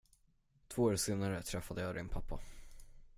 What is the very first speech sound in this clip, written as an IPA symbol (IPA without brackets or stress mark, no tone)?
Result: t̪ʰ